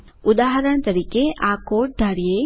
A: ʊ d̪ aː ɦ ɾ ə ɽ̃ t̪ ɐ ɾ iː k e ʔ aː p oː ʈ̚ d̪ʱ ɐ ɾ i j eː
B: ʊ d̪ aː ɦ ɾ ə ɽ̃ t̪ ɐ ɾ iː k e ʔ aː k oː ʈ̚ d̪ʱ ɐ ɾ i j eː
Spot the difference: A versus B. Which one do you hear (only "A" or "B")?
B